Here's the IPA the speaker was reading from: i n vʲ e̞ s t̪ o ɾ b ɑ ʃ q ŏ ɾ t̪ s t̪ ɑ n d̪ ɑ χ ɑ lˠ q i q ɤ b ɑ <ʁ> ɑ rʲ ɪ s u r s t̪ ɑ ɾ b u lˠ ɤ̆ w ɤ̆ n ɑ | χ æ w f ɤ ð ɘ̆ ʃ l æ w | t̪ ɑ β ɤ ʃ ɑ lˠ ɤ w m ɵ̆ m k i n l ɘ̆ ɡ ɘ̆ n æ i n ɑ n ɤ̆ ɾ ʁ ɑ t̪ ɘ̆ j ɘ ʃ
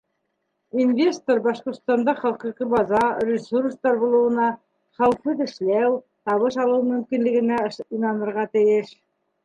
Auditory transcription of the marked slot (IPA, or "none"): z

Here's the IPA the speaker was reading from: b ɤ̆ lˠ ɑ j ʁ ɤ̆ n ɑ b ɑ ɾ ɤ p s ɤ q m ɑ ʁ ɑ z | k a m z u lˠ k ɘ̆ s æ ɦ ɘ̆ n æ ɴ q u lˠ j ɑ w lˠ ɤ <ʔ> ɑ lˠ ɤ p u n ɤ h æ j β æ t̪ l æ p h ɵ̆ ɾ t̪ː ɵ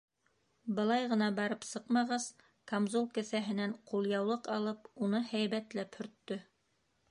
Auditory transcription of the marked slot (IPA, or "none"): q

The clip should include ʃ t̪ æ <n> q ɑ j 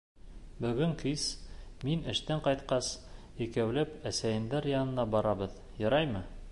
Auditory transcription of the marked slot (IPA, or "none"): ɴ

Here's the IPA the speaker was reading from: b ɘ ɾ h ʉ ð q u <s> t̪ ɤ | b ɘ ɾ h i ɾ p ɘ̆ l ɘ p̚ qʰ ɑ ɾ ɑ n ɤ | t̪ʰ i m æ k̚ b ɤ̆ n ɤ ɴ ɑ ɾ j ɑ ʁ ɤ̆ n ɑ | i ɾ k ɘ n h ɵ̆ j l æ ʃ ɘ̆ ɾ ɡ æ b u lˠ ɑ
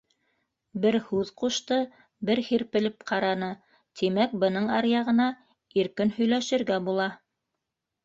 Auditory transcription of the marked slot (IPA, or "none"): ʃ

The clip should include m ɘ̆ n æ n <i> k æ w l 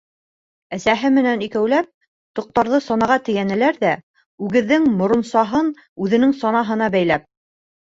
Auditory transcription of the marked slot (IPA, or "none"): i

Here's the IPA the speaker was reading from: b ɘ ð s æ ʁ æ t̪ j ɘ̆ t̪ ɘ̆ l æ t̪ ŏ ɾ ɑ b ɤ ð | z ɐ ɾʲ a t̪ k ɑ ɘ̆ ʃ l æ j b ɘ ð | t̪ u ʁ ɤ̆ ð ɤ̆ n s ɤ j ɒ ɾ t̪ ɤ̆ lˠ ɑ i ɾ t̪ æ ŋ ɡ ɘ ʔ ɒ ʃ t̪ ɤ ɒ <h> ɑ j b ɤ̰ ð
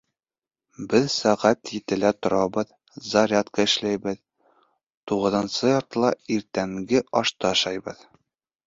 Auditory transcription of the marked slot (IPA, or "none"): ʃ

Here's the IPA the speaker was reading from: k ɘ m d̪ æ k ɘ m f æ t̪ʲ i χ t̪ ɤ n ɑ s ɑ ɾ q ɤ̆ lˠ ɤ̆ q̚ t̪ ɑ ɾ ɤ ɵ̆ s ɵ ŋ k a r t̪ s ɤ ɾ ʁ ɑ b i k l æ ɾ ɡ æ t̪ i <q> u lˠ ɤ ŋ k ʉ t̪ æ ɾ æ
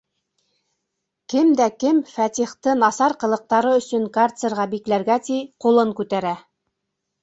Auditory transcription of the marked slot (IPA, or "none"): q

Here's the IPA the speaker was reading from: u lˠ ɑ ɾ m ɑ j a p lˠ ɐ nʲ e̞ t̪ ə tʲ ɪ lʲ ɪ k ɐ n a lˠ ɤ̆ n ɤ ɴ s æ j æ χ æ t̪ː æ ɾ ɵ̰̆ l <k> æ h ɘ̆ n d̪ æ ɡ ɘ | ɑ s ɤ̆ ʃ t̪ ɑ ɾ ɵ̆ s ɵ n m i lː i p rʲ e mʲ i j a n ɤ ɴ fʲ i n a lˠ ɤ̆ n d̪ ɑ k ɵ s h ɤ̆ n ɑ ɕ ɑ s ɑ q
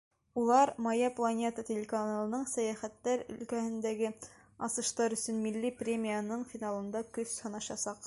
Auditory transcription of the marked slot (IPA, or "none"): k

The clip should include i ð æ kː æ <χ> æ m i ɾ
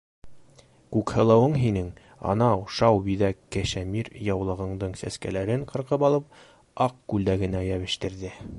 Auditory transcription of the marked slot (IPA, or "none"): ʃ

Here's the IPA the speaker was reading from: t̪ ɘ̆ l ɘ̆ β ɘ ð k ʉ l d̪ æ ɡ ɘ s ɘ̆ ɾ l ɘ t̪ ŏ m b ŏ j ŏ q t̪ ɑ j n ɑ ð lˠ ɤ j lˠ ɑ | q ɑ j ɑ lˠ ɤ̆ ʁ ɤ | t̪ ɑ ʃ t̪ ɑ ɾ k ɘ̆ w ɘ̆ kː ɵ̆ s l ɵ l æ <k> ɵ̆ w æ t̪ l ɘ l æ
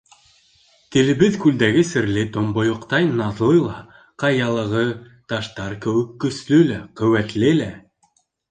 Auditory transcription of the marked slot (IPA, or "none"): q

